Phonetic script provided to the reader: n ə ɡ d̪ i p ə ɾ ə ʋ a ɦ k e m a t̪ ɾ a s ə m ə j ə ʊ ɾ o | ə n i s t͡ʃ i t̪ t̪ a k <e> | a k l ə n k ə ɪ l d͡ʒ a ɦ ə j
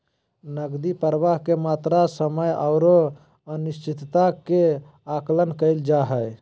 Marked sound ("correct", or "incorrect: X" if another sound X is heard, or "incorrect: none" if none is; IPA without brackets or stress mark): correct